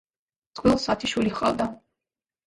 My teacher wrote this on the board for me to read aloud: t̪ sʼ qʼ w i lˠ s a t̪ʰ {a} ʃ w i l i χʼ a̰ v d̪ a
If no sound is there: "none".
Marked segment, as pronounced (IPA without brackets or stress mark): i